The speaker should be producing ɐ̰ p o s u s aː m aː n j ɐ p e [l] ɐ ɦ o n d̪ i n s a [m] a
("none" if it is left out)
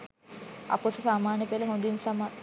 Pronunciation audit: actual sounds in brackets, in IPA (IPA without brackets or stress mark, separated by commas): l, m